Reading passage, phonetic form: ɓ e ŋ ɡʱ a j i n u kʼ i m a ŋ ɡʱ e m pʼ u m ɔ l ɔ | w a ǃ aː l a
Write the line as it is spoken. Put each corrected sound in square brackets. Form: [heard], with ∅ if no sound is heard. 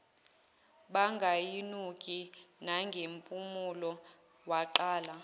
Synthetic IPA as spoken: ɓ [a] ŋ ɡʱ a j i n u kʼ i [n] a ŋ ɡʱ e m pʼ u m [u] l ɔ | w a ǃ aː l a

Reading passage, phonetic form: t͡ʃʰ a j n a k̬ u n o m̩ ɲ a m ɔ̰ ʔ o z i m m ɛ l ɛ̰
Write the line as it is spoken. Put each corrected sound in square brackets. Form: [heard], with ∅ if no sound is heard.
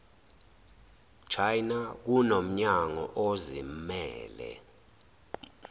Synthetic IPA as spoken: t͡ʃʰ a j n a k̬ u n o m̩ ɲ a [ŋ] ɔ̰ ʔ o z i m m [ɛː] l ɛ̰

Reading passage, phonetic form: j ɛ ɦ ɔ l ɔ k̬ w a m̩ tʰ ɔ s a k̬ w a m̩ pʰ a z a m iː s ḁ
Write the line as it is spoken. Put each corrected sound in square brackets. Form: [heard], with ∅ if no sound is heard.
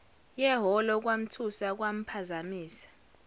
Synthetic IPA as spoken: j ɛ ɦ ɔ l ɔ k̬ w a m̩ tʰ [u] s a k̬ w a m̩ pʰ a z a m iː s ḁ

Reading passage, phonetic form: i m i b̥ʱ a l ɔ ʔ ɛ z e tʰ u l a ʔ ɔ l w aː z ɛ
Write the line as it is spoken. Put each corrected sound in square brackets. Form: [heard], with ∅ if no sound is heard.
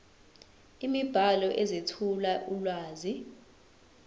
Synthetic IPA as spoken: i m i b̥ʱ a l ɔ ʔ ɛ z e tʰ u l a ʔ [u] l w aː z [i]

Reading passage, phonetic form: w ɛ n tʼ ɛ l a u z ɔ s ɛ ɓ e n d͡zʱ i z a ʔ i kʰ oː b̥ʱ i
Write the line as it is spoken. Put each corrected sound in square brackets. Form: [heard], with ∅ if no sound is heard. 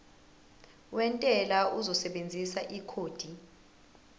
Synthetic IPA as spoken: w ɛ n tʼ ɛ l a u z ɔ s ɛ ɓ e n d͡zʱ i [s] a ʔ i kʰ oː [d̥ʱ] i

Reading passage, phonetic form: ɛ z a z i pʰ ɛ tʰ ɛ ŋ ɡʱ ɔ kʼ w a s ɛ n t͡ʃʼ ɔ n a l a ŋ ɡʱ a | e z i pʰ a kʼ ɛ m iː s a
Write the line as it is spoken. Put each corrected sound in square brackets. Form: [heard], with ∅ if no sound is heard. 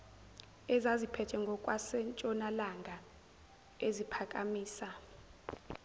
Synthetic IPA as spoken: ɛ z a z i pʰ ɛ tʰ ɛ ŋ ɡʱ ɔ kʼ w a s ɛ n t͡ʃʼ ɔ n a l a ŋ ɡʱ a | e z i pʰ a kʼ [a] m iː s a

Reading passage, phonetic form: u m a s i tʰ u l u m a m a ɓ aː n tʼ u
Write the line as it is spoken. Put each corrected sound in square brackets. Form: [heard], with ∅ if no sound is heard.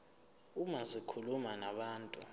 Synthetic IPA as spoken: u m a [z] i [kʰ] u l u m a [n] a ɓ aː n tʼ u

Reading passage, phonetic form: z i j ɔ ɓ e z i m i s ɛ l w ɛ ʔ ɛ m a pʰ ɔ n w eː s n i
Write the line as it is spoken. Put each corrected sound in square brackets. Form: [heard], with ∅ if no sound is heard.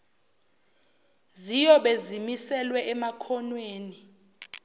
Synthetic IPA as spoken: z i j ɔ ɓ e z i m i s ɛ l w ɛ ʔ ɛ m a [kʰ] ɔ n w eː [∅] n i

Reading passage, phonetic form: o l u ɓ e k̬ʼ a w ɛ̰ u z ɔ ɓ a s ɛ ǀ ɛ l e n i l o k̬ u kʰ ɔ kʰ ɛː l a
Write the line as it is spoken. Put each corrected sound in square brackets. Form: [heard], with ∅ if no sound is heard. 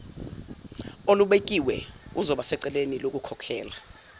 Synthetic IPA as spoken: o l u ɓ e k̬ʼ [i] w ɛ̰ u z ɔ ɓ a s ɛ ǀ ɛ l e n i l o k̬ u kʰ ɔ kʰ ɛː l a

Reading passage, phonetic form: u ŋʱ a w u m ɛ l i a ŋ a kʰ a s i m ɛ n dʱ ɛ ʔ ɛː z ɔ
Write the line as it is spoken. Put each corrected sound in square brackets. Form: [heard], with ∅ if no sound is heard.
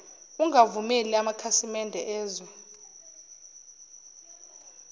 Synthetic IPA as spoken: u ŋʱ a [v] u m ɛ l i a [m] a kʰ a s i m ɛ n dʱ ɛ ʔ ɛː z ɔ

